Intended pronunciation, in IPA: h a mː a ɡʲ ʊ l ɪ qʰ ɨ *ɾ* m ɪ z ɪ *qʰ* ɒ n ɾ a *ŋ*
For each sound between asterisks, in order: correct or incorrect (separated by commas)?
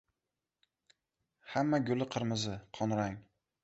correct, correct, correct